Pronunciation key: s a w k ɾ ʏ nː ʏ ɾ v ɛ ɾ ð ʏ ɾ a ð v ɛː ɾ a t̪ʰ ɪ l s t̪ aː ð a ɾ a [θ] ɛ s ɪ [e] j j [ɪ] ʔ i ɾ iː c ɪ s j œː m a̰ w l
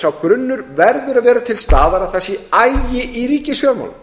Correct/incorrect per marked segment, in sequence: correct, incorrect, correct

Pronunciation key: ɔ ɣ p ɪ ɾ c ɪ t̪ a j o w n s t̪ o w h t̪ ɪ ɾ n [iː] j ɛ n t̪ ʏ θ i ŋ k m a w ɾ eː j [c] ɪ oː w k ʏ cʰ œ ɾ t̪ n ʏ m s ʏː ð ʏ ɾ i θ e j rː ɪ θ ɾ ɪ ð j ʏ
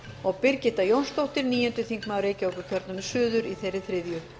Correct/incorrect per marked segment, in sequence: correct, correct

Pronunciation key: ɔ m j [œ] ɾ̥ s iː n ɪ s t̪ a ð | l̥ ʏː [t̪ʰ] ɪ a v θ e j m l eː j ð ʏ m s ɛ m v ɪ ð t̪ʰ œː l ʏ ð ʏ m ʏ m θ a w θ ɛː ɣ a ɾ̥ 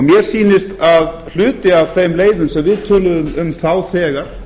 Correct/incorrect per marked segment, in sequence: incorrect, incorrect

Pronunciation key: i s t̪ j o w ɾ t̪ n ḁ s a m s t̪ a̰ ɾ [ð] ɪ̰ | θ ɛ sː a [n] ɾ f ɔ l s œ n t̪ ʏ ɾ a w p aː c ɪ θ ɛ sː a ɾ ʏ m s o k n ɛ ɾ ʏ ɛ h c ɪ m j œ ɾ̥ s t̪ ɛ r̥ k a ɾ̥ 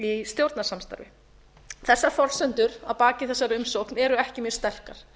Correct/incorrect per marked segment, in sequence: incorrect, incorrect

